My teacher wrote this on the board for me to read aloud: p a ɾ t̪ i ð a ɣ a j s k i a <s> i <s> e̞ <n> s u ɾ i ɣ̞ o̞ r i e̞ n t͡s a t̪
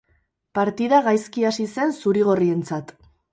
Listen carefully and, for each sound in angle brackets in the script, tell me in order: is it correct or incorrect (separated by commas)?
correct, correct, correct